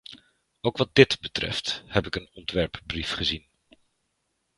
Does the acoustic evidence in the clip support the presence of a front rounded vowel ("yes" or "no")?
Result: no